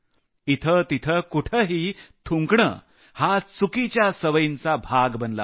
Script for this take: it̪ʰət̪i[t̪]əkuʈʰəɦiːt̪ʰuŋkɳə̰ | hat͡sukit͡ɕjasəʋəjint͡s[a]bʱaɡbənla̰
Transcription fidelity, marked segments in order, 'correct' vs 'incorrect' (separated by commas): incorrect, correct